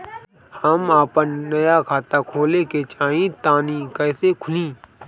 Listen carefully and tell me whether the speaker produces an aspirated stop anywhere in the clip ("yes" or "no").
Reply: yes